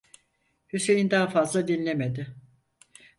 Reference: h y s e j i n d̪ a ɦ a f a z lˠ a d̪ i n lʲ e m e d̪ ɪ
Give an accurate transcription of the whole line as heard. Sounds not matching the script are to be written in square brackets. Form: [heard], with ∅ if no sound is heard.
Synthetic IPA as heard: h y s e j i n d̪ a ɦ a f a z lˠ a d̪ i n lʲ e m e d̪ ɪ